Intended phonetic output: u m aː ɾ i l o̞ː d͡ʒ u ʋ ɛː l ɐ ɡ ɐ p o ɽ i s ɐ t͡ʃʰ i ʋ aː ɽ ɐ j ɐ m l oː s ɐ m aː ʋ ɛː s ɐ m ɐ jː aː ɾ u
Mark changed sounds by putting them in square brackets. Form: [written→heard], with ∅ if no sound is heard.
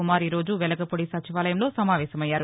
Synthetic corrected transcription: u m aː ɾ i [l→ɾ] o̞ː d͡ʒ u ʋ [ɛː→ɛ] l ɐ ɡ ɐ p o ɽ i s ɐ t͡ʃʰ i ʋ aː [ɽ→l] ɐ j ɐ m l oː s ɐ m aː ʋ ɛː s ɐ m ɐ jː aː ɾ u